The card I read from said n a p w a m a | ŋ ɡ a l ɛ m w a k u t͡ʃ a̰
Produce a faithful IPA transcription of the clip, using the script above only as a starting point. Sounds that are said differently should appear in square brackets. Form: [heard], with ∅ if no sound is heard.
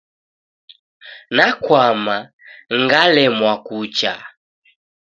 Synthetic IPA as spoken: n a [k] w a m a | ŋ ɡ a l ɛ m w a k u t͡ʃ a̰